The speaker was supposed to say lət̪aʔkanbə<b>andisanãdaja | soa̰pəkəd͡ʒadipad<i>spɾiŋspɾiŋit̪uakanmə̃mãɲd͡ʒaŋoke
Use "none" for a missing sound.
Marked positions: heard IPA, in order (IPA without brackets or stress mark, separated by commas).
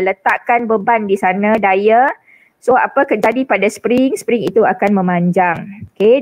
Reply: b, a